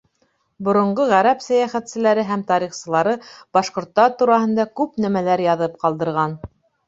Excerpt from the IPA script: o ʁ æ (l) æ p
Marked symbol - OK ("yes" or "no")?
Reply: no